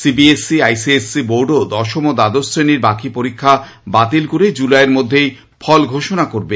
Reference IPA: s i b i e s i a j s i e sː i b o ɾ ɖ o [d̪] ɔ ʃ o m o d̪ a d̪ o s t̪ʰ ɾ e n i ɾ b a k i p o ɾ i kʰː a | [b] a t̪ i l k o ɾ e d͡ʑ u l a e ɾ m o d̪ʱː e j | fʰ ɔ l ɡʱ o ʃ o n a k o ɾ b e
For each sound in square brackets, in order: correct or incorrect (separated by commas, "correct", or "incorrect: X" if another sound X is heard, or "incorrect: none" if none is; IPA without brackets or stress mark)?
correct, correct